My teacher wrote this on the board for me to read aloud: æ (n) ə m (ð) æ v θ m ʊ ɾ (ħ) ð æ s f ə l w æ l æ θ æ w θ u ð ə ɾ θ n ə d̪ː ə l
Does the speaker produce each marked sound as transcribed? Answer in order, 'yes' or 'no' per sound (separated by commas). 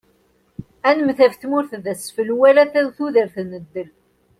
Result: yes, no, no